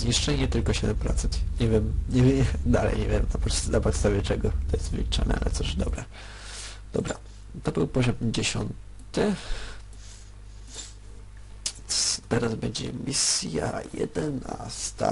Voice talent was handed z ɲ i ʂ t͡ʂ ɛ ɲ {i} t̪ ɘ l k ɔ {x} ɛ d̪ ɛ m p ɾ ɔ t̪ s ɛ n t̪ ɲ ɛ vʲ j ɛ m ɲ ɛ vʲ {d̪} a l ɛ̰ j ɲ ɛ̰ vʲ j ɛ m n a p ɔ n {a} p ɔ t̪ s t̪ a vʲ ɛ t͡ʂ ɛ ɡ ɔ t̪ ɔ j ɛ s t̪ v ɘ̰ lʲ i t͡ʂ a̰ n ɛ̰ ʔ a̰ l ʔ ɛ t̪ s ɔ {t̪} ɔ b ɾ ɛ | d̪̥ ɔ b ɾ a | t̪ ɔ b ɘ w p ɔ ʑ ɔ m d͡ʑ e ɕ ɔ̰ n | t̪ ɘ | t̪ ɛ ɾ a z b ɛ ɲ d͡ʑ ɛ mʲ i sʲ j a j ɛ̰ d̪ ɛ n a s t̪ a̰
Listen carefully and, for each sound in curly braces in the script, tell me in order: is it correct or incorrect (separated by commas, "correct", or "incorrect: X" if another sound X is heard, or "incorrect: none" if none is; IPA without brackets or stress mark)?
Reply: incorrect: ɛ, incorrect: ɕ, correct, correct, incorrect: d̪